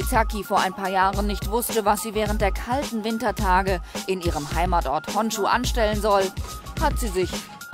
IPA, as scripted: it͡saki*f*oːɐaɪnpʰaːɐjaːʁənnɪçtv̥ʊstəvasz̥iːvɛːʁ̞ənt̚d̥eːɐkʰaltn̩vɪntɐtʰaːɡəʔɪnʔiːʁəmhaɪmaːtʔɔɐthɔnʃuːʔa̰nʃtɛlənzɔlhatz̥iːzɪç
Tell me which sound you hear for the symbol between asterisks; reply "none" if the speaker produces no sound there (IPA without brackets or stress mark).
f